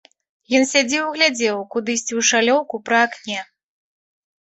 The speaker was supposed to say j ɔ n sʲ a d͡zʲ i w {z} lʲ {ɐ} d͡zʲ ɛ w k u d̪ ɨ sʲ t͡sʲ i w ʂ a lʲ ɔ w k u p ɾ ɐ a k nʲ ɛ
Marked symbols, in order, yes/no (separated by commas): no, no